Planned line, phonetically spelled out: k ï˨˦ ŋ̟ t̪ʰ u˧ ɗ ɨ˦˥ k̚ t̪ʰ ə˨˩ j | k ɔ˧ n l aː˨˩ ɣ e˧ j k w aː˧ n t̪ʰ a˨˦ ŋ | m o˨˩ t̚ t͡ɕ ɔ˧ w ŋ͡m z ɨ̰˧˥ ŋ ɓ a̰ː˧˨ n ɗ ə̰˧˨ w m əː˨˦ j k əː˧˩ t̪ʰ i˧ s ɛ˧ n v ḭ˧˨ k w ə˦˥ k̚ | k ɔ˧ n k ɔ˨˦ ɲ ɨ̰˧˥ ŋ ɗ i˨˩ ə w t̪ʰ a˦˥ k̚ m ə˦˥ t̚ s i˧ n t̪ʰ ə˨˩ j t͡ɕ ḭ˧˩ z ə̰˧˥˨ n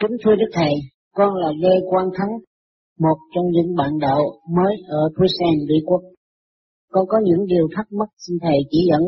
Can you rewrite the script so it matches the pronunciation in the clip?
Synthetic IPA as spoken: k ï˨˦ ŋ̟ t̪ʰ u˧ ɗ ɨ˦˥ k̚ t̪ʰ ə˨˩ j | k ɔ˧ n l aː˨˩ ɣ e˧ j k w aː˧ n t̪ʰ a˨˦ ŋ | m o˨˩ t̚ t͡ɕ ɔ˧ w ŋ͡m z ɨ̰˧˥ ŋ ɓ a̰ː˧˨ n ɗ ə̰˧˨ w m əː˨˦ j ʔ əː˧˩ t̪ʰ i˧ s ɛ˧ n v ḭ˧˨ k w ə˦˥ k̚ | k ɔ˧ n k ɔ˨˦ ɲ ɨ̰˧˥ ŋ ɗ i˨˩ ə w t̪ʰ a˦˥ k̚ m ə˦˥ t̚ s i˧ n t̪ʰ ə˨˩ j t͡ɕ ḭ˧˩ z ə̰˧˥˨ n